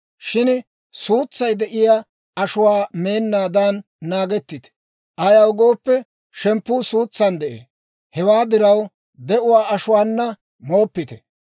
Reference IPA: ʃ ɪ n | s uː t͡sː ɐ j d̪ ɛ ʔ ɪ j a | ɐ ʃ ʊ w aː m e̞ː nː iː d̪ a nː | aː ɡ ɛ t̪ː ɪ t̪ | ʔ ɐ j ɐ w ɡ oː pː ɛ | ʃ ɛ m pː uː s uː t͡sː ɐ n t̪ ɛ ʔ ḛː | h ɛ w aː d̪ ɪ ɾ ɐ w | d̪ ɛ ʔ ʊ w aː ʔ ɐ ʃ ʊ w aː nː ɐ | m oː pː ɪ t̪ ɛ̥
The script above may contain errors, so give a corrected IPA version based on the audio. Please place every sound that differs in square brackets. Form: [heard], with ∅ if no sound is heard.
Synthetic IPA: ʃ ɪ n | s uː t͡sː ɐ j d̪ ɛ ʔ ɪ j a | ɐ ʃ ʊ w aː m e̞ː nː [aː] d̪ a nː | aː ɡ ɛ t̪ː ɪ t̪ | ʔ ɐ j ɐ w ɡ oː pː ɛ | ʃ ɛ m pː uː s uː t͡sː ɐ n [d̪] ɛ ʔ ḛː | h ɛ w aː d̪ ɪ ɾ ɐ w | d̪ ɛ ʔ ʊ w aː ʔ ɐ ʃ ʊ w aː nː ɐ | m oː pː ɪ t̪ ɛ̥